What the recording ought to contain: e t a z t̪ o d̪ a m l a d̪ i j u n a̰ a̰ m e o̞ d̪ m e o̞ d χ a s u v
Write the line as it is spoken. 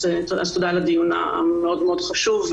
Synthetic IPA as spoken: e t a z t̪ o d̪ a l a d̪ i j u n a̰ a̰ m e o̞ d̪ m e o̞ d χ a ʃ u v